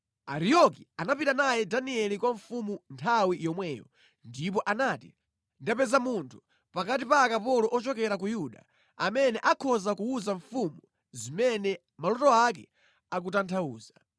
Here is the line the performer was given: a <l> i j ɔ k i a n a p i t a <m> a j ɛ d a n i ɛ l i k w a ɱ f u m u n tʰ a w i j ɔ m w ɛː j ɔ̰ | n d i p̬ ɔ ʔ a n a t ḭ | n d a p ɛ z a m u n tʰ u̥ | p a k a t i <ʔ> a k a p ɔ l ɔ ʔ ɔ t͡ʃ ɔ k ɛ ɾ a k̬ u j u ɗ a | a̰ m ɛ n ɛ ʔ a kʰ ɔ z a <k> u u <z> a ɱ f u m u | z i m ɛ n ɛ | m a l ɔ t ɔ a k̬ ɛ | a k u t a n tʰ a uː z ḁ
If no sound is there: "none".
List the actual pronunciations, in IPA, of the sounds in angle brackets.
ɾ, n, p, k, z

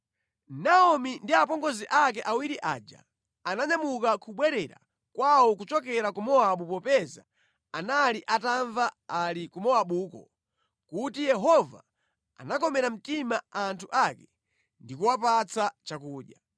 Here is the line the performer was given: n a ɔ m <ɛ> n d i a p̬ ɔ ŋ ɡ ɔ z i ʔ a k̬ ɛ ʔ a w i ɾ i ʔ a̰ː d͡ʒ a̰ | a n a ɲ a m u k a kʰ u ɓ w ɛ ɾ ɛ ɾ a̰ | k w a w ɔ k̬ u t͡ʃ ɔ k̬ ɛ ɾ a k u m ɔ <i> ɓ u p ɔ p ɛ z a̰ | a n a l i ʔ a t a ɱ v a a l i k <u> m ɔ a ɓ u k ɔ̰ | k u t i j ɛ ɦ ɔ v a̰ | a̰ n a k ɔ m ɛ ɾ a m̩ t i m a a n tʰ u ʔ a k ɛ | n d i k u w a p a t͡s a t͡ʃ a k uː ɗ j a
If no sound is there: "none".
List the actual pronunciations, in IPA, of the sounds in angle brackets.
i, a, u

